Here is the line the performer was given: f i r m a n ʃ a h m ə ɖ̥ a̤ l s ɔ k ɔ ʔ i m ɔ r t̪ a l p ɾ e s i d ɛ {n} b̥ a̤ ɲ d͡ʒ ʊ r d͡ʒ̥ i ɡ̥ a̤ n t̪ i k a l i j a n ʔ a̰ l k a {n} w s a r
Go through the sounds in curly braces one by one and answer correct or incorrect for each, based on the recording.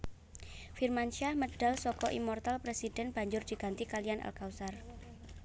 correct, incorrect

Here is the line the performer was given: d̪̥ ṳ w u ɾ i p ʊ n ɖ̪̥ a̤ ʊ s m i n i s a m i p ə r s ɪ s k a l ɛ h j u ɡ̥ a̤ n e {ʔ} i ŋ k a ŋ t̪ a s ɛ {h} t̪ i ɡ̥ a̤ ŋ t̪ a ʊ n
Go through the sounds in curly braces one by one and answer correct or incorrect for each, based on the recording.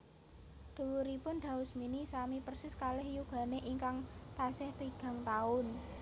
correct, correct

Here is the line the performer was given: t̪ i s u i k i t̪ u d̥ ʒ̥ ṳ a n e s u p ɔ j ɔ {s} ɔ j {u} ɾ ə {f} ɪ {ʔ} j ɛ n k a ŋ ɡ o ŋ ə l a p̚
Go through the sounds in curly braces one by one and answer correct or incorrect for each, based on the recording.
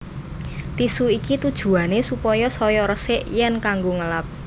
correct, incorrect, incorrect, correct

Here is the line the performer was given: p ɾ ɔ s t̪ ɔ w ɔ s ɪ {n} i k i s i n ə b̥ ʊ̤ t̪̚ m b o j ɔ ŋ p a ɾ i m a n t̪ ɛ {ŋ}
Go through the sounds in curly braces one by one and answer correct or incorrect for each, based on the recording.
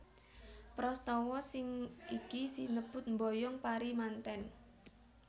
incorrect, incorrect

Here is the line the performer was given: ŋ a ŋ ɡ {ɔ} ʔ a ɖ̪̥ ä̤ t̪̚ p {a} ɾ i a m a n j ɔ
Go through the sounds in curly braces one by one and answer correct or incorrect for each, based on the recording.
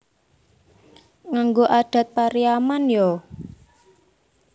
incorrect, correct

